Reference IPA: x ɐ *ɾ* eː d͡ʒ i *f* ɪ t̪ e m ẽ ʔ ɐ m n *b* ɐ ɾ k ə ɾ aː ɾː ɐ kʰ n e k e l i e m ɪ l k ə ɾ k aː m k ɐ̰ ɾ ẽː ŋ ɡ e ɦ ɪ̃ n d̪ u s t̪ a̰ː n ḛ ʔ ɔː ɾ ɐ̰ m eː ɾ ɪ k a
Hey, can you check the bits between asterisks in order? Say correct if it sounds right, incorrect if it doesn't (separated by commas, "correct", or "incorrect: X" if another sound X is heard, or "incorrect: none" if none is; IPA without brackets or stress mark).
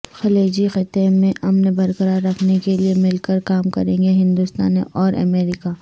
incorrect: l, incorrect: x, correct